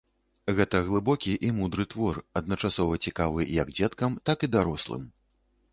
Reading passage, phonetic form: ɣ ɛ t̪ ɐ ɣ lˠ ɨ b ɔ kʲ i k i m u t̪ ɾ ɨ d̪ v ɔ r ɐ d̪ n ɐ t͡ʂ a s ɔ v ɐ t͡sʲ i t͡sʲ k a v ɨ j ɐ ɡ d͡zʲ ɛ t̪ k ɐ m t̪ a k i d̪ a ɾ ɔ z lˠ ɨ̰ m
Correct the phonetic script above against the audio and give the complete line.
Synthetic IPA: ɣ ɛ t̪ ɐ ɣ lˠ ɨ b ɔ kʲ i ʔ i m u d̪ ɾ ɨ t̪ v ɔ r ɐ d̪ n ɐ t͡ʂ a s ɔ v ɐ t͡sʲ i k a v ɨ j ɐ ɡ d͡zʲ ɛ t̪ k ɐ m t̪ a k i d̪ a ɾ ɔ s lˠ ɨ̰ m

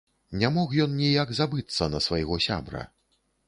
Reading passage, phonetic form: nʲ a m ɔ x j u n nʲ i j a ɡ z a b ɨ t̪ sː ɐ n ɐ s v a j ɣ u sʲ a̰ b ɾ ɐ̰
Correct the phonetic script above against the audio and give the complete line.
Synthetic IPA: nʲ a m ɔ x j ɔ n nʲ i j a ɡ z a b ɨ t̪ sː ɐ n ɐ s v a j ɣ ɔ sʲ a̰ b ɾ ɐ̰

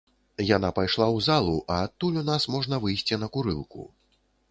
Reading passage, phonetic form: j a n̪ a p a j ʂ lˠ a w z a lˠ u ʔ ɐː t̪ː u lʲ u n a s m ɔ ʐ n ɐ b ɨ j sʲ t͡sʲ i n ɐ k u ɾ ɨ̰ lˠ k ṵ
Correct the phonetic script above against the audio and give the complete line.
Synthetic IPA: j a n̪ a p a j ʂ lˠ a w z a lˠ u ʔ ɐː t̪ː u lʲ u n a s m ɔ ʐ n ɐ v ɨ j sʲ t͡sʲ i n ɐ k u ɾ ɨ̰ lˠ k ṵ

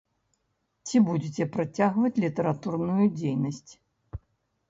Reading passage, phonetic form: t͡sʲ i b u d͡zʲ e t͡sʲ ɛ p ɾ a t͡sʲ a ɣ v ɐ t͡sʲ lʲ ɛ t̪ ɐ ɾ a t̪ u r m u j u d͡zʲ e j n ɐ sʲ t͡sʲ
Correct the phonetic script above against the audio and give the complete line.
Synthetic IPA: t͡sʲ i b u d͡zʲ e t͡sʲ ɛ p ɾ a t͡sʲ a ɣ v ɐ t͡sʲ lʲ i t̪ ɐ ɾ a t̪ u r n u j u d͡zʲ e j n ɐ sʲ t͡sʲ

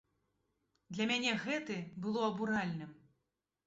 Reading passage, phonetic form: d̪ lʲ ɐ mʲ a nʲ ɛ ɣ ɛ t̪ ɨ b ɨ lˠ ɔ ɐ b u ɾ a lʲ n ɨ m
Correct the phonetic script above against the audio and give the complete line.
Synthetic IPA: d̪ lʲ ɐ mʲ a nʲ ɛ ɣ ɛ t̪ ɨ b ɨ lˠ ɔ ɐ b u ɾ a lʲ n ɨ m

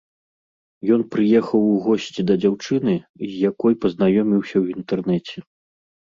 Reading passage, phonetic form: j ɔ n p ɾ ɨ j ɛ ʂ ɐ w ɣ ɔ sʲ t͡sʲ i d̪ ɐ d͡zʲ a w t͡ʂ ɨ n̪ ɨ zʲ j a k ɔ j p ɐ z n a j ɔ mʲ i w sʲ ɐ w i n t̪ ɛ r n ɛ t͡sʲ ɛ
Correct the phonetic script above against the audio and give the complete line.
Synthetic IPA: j ɔ n p ɾ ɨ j ɛ x ɐ w ɣ ɔ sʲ t͡sʲ i d̪ ɐ d͡zʲ a w t͡ʂ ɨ n̪ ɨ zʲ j a k ɔ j p ɐ z n a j ɔ mʲ i w sʲ ɐ w i n t̪ ɛ r n ɛ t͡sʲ ɛ

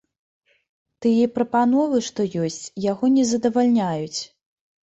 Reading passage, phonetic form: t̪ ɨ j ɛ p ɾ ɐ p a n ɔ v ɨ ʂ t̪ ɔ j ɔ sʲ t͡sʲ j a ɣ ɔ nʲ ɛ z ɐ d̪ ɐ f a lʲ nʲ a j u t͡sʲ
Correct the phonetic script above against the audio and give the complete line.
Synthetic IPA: t̪ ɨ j ɛ p ɾ ɐ p a n ɔ v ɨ ʂ t̪ ɔ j ɔ sʲ t͡sʲ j a ɣ ɔ nʲ ɛ z ɐ d̪ ɐ v a lʲ nʲ a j u t͡sʲ

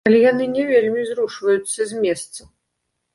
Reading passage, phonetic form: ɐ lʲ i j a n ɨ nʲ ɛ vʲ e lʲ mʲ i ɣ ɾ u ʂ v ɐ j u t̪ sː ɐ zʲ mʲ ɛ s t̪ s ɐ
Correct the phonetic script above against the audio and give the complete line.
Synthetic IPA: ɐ lʲ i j a n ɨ nʲ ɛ vʲ e lʲ mʲ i z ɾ u ʂ v ɐ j u t̪ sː ɐ zʲ mʲ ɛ s t̪ s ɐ

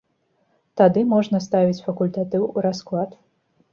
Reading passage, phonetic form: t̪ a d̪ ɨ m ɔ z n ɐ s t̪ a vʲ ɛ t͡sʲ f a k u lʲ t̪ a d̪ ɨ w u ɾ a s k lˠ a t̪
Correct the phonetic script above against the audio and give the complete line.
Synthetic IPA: t̪ a d̪ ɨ m ɔ ʐ n ɐ s t̪ a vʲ i t͡sʲ f ɐ k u lʲ t̪ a t̪ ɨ w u ɾ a s k lˠ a t̪

